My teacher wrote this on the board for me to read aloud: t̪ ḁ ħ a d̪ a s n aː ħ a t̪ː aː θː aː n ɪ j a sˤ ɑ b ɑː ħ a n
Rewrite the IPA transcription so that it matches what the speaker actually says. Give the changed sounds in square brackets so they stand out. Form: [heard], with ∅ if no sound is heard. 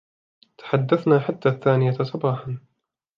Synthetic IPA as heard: t̪ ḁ ħ a [d̪ː] a [θ] n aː ħ a t̪ː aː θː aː n ɪ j a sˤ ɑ b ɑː ħ a n